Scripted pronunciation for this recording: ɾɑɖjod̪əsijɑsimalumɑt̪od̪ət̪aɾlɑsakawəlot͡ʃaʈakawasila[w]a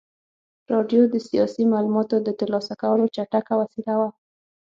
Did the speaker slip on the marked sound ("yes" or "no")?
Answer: no